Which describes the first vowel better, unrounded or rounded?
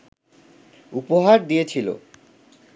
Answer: rounded